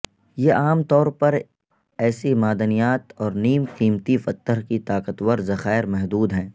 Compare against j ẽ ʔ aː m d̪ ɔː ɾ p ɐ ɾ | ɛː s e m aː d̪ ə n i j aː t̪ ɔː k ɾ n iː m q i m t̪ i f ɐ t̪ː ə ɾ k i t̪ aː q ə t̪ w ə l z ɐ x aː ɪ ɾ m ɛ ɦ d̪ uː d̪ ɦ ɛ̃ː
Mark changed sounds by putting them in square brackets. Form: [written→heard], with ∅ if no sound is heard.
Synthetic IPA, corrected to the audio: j [ẽ→e] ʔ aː m [d̪→t̪] ɔː ɾ p ɐ ɾ | ɛː s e m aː d̪ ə n i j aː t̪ ɔː [k→∅] ɾ n iː m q [i→iː] m t̪ i f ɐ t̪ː ə ɾ k i t̪ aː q ə t̪ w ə [l→ɾ] z ɐ x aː ɪ ɾ m ɛ ɦ d̪ uː d̪ ɦ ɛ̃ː